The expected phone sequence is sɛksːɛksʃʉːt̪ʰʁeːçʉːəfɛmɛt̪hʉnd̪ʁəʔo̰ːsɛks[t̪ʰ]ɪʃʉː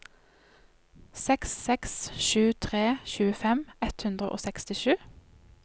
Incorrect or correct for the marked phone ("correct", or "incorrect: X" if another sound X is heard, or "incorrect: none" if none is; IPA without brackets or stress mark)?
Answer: incorrect: t̪